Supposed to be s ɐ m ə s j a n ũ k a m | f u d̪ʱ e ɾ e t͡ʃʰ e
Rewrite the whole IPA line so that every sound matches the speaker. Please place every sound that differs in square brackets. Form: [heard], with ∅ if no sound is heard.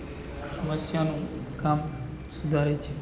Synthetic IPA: s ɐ m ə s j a n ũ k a m | [s] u d̪ʱ [a] ɾ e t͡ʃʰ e